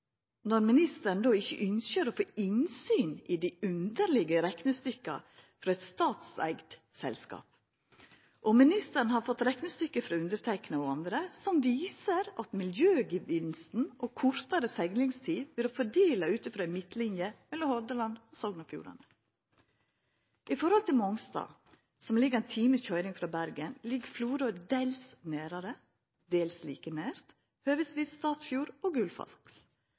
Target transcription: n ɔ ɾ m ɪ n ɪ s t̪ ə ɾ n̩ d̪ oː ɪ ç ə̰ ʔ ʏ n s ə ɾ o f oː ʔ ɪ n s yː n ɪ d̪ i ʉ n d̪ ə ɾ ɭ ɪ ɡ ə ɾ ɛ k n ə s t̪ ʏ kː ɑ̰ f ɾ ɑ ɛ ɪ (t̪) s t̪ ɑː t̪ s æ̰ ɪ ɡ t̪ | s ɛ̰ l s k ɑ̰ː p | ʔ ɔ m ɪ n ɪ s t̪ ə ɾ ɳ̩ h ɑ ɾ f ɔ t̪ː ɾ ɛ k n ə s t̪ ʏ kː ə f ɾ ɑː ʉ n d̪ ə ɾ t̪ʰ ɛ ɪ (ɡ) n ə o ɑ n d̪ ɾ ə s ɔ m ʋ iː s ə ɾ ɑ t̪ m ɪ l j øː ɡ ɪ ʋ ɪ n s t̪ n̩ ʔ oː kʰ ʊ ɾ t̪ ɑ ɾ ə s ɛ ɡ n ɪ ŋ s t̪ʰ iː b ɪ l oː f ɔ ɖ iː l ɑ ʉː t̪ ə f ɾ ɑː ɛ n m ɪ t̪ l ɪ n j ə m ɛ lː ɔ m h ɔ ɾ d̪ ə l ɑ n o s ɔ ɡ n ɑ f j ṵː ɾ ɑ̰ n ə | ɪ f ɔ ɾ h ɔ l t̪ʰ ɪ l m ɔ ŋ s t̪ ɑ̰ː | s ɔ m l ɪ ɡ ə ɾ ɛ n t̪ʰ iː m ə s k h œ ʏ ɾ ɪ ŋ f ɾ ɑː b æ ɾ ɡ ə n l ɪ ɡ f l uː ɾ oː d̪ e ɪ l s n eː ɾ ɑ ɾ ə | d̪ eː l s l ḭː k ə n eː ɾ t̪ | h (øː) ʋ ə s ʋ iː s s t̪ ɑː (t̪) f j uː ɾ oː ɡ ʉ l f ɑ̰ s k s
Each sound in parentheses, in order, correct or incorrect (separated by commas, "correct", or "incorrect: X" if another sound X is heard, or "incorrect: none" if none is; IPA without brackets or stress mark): correct, incorrect: k, correct, correct